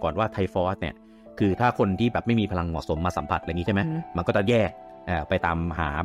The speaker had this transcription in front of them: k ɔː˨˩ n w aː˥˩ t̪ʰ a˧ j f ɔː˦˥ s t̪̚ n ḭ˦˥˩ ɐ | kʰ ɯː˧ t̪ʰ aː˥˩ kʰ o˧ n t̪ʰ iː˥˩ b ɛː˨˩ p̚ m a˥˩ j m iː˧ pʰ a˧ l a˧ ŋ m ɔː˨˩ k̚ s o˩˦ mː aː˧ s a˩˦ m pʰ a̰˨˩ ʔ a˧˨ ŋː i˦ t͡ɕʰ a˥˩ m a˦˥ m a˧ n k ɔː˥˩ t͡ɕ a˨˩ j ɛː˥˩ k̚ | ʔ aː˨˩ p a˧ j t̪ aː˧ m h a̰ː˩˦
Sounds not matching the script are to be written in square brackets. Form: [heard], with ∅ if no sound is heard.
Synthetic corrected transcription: k ɔː˨˩ n w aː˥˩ t̪ʰ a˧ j f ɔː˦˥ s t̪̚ n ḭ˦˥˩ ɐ | kʰ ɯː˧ t̪ʰ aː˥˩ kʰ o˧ n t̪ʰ iː˥˩ b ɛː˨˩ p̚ m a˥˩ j m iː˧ pʰ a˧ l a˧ ŋ m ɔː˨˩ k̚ s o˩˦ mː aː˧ s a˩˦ m pʰ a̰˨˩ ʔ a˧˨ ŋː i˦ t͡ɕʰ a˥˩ m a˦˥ m a˧ n k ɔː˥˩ t͡ɕ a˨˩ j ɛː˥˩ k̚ | ʔ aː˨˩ p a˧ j t̪ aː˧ m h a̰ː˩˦